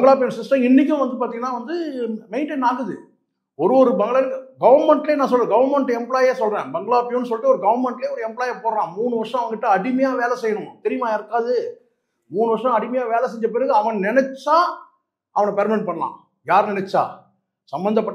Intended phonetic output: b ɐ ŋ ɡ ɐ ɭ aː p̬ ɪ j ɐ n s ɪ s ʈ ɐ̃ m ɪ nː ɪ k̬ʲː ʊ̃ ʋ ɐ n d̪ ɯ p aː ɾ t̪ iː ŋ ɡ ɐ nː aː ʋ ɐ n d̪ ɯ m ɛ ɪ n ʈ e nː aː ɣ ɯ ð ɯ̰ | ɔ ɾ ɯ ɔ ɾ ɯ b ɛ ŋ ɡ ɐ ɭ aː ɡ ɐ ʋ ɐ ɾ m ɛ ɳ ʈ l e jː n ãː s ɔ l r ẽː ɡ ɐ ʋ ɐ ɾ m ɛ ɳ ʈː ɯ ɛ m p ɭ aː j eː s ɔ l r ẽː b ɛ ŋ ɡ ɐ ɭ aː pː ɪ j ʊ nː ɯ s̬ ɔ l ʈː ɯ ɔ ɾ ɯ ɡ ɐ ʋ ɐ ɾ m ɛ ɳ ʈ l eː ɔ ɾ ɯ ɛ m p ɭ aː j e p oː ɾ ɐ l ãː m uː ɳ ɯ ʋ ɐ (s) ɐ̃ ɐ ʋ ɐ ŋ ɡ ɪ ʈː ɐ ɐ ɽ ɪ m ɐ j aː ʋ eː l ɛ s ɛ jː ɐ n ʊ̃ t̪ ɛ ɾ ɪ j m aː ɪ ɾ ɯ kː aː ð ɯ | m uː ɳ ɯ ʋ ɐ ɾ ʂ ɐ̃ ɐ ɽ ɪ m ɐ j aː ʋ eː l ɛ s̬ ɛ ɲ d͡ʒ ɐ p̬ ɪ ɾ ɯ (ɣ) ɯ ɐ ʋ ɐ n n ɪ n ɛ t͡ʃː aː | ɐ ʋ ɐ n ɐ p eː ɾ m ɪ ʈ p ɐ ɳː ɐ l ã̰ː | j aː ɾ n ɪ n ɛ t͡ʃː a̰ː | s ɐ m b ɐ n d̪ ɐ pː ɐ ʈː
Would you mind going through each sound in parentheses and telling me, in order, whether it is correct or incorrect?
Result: incorrect: ʂ, correct

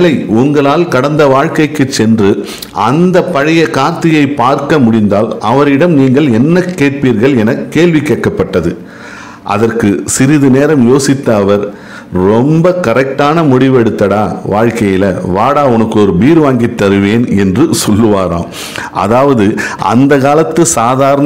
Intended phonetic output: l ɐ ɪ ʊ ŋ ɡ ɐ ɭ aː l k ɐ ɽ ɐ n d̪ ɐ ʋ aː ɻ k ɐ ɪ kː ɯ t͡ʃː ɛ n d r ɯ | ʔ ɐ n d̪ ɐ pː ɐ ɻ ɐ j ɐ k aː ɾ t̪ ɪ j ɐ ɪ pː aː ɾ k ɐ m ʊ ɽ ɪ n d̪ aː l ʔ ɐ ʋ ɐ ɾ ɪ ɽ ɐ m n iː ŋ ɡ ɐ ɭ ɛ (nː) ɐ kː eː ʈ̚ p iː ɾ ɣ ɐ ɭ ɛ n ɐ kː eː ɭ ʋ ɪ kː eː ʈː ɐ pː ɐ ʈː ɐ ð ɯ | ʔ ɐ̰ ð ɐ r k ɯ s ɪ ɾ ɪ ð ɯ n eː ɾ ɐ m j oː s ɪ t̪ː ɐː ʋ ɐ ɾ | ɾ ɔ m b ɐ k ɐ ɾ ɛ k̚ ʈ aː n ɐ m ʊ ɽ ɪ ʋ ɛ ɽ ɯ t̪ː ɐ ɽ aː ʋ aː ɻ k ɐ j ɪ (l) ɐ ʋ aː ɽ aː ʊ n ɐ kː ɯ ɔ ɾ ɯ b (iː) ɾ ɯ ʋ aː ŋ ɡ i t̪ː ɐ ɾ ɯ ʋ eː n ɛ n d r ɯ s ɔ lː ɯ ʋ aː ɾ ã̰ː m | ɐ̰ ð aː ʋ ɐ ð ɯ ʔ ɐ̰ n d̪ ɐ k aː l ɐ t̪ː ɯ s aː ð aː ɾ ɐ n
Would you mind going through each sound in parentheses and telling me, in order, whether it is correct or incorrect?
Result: correct, correct, correct

